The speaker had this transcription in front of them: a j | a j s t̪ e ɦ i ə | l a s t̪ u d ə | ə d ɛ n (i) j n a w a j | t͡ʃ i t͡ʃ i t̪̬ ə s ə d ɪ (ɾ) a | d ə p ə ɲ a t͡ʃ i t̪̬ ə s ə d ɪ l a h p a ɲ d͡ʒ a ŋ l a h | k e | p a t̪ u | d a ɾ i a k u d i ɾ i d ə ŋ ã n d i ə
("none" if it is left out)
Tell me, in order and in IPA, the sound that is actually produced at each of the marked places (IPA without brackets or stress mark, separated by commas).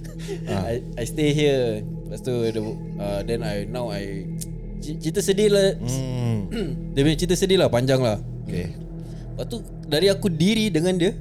a, l